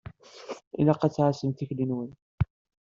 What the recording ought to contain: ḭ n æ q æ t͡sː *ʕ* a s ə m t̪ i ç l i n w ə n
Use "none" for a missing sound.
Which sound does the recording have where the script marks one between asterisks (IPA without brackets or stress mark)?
ʕ